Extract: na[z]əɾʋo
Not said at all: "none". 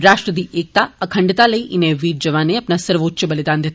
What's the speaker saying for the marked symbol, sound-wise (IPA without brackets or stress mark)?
s